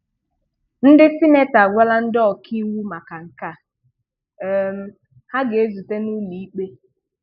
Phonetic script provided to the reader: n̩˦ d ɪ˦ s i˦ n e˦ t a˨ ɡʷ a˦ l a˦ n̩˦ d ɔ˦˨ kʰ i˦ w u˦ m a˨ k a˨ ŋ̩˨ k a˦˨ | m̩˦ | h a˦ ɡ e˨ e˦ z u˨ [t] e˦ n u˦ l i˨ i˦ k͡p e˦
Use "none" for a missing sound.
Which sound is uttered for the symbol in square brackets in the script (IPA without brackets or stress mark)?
t